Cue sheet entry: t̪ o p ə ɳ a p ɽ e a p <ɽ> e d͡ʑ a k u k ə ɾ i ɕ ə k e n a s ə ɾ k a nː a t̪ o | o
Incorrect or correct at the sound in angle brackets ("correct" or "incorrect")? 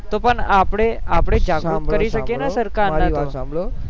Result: correct